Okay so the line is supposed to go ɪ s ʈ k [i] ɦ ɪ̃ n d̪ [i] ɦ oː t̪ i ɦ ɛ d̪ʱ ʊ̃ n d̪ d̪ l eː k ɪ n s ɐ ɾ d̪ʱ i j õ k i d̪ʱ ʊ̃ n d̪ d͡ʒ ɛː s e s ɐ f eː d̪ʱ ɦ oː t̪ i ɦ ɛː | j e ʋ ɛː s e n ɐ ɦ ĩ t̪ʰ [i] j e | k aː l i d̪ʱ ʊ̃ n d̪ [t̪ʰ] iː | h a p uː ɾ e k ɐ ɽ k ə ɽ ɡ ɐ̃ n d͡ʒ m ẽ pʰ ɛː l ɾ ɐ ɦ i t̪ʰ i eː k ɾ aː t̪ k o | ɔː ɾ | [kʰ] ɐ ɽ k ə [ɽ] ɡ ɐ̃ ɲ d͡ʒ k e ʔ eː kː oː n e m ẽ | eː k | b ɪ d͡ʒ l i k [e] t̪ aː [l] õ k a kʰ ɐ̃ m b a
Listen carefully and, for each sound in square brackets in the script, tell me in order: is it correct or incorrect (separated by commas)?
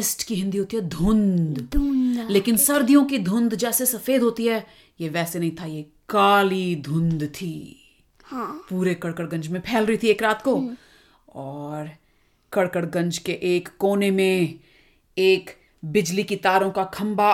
correct, correct, incorrect, correct, incorrect, correct, incorrect, incorrect